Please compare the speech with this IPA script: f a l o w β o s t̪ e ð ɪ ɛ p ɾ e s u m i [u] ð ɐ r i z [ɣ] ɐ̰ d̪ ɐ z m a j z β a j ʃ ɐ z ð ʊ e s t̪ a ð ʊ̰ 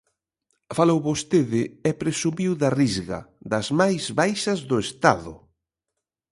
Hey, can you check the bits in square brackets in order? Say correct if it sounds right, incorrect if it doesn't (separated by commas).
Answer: incorrect, correct